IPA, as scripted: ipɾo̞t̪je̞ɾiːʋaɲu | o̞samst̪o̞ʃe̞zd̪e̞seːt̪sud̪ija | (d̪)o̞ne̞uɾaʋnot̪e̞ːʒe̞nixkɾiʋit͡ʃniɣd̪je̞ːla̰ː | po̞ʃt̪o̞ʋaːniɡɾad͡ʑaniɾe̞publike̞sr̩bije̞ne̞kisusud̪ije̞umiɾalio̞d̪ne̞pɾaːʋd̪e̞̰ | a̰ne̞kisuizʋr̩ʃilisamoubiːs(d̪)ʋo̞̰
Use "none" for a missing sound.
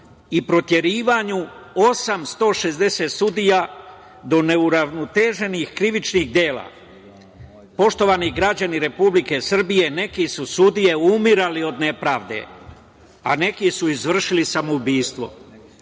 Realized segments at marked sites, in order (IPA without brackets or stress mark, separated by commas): d̪, t̪